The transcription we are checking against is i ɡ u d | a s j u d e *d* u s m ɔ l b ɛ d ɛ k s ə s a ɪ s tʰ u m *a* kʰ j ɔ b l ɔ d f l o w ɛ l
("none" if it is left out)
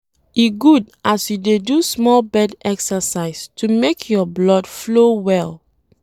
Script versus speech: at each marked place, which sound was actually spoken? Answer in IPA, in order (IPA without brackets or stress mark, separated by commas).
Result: d, e